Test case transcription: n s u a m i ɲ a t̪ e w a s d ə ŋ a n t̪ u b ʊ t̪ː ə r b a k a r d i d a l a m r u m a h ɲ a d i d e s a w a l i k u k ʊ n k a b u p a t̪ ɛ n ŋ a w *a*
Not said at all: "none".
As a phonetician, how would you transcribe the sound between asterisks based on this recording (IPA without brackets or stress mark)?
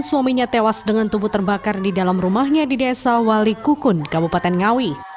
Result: i